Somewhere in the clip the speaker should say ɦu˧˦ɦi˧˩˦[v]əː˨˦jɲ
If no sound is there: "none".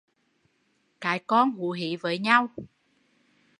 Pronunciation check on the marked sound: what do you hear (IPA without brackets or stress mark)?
v